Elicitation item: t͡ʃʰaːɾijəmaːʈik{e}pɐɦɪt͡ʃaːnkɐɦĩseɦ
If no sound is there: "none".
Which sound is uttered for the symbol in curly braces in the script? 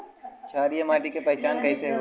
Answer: e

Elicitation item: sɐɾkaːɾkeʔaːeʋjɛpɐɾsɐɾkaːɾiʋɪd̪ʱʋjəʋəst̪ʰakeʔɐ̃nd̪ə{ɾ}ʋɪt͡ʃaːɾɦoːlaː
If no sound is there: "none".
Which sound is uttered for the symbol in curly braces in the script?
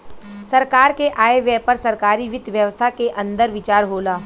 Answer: ɾ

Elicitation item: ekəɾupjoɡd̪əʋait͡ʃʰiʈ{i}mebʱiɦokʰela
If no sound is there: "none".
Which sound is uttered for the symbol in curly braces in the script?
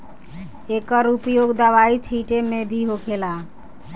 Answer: e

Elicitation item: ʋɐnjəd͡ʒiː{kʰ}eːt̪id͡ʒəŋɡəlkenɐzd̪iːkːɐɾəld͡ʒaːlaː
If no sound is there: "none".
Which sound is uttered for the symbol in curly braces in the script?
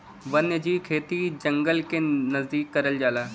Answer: kʰ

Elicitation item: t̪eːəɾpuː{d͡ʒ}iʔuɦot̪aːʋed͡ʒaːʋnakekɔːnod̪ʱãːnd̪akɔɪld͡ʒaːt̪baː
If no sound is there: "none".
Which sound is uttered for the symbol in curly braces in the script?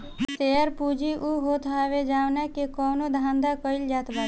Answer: d͡ʒ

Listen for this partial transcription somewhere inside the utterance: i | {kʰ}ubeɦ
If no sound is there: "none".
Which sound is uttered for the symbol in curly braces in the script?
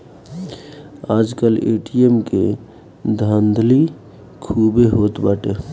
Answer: kʰ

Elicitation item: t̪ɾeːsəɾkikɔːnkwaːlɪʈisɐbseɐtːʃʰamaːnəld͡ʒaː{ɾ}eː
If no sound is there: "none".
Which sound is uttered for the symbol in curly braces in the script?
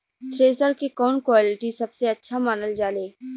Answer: l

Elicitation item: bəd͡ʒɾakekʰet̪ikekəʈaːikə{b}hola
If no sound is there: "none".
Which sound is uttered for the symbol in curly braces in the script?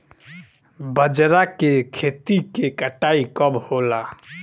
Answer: b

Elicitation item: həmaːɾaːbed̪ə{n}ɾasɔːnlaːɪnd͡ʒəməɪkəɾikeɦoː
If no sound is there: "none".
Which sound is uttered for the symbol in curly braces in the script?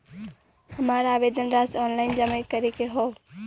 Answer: n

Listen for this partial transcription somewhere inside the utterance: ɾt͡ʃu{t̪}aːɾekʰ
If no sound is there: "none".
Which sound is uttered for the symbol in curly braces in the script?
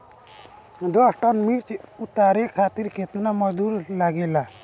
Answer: t̪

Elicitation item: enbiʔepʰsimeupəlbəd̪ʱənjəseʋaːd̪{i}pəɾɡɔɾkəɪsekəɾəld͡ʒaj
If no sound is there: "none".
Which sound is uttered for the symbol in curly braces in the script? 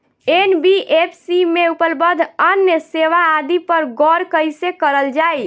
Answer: i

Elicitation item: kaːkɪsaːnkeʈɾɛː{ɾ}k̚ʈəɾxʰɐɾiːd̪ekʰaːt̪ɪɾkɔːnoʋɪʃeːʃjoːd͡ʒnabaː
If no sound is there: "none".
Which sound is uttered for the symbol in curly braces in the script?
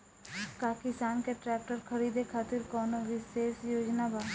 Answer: none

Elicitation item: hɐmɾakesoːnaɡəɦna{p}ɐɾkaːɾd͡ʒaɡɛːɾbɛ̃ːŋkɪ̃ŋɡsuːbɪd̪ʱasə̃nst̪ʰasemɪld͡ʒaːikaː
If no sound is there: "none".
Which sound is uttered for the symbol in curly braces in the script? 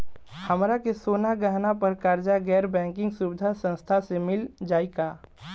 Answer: p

